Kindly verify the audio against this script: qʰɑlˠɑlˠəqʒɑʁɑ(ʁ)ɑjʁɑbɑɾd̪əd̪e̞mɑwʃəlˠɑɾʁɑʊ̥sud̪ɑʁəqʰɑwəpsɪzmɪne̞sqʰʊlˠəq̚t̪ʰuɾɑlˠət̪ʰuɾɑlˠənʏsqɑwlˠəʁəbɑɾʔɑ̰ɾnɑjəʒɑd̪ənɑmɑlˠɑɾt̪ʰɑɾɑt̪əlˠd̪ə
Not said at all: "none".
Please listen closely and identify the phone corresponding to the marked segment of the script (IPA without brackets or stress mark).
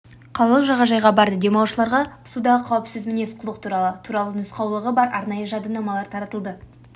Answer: ʒ